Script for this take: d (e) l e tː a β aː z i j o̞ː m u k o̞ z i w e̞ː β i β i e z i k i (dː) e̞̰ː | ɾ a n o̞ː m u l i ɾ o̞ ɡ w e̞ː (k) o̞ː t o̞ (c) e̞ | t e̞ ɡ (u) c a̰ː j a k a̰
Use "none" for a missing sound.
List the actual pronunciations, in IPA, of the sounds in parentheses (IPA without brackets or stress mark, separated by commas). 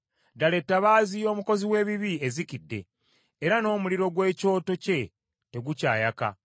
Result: a, dː, c, c, u